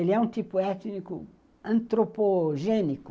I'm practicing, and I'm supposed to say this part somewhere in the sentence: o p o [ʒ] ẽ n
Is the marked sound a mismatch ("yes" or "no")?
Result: no